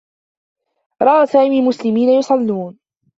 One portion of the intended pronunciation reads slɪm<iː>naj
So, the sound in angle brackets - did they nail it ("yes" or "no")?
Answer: yes